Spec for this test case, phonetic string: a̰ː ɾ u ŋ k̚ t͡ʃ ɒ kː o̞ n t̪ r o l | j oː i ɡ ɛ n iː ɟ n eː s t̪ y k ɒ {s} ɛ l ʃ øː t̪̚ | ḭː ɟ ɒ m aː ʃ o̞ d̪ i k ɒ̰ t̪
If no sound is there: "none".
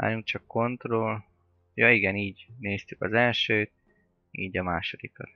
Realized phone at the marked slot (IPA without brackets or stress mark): z